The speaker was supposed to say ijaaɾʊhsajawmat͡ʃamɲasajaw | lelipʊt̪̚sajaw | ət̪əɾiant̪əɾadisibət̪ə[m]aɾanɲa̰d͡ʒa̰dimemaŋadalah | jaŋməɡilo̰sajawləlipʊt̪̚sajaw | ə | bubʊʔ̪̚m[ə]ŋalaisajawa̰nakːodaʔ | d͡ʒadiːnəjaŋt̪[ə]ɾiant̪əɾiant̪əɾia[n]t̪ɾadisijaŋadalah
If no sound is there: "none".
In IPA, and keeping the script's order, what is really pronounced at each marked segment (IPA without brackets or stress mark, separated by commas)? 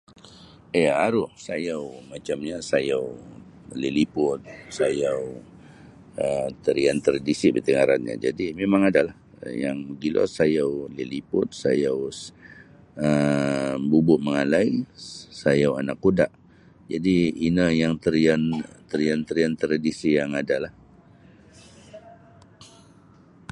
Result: ŋ, ə, ə, n